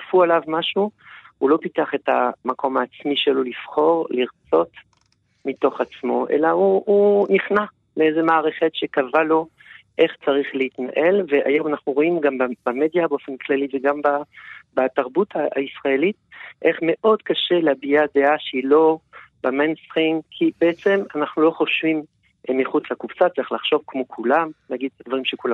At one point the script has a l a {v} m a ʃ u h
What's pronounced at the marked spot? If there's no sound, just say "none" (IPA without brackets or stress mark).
v